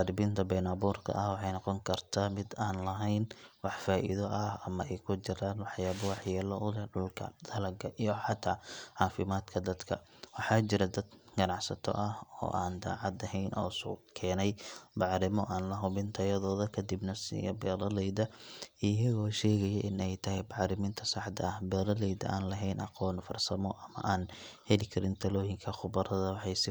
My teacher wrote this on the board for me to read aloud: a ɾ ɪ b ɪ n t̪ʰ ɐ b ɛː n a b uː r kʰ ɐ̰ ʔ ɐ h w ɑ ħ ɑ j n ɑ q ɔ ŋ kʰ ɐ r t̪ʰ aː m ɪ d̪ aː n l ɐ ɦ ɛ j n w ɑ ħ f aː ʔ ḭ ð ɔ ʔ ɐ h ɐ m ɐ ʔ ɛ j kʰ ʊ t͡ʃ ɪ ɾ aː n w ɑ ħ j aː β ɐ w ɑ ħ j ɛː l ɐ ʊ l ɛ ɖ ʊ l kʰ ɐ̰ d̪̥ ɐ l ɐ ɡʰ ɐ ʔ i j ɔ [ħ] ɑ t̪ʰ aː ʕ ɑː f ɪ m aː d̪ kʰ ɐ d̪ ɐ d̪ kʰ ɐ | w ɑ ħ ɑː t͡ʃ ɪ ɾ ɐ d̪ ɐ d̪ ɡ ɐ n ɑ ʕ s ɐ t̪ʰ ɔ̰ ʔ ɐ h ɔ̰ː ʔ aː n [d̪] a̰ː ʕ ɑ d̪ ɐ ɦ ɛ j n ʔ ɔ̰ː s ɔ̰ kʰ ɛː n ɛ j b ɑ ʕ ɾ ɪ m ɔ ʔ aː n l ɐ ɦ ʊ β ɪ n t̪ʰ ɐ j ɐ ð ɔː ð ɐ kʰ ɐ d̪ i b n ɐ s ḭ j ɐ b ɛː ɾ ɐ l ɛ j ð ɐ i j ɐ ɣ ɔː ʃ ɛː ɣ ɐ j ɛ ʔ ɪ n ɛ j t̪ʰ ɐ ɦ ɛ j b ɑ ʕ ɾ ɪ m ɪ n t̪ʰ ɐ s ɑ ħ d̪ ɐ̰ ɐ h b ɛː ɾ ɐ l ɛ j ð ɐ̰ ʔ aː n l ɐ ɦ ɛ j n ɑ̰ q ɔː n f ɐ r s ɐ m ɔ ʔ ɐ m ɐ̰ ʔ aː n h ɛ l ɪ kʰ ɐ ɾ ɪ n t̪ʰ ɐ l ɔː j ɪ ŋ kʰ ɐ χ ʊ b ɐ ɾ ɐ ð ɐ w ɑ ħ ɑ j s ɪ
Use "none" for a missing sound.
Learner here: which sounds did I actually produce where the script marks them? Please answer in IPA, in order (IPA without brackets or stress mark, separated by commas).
ħ, d̪